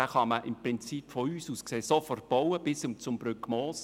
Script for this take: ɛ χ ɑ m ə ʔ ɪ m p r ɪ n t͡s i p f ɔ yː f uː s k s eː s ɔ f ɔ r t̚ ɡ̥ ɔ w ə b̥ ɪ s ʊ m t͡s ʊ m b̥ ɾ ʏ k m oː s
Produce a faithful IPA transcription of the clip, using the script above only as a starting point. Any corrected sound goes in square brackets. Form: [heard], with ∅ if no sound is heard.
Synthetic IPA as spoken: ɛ χ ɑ m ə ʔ ɪ m p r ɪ n t͡s i p f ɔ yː [s] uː s k s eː s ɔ f ɔ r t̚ [b̥] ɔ w ə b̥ ɪ s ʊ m t͡s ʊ m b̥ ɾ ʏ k m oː s